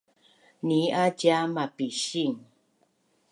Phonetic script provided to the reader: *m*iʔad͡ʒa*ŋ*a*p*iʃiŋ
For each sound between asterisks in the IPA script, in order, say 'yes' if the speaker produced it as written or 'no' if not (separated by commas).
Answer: no, no, yes